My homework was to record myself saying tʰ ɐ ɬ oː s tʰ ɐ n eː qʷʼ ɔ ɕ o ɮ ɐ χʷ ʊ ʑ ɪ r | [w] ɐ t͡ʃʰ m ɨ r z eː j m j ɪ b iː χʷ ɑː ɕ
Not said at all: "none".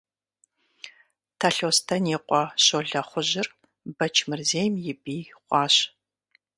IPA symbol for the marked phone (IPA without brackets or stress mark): b